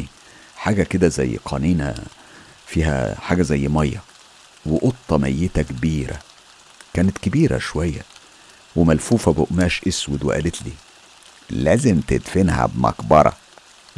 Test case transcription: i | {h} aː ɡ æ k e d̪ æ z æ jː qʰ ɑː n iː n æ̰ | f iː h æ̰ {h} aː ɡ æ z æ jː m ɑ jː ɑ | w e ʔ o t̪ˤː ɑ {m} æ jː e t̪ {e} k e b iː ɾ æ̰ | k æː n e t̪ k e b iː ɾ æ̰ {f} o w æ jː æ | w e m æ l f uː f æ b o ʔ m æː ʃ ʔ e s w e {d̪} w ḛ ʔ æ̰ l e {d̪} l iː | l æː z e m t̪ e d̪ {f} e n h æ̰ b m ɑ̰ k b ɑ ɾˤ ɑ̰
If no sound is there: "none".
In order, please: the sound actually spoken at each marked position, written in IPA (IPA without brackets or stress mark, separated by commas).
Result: ħ, ħ, m, æ, ʃ, d̪, t̪, f